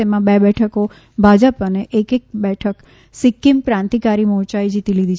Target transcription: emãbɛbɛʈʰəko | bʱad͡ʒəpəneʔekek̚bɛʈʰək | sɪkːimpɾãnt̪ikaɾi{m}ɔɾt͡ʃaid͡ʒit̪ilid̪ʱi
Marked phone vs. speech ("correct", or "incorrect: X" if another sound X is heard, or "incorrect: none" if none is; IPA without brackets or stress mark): correct